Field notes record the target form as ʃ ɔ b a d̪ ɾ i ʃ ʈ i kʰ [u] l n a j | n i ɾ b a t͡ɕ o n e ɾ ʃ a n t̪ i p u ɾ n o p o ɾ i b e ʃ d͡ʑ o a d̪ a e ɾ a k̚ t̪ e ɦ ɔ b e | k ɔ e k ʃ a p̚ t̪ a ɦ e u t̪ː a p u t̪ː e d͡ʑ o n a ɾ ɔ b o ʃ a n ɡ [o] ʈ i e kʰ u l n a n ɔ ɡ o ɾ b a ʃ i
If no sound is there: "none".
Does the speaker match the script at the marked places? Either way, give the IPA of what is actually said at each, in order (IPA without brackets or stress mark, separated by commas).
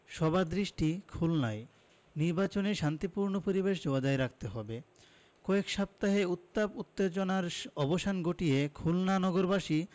u, o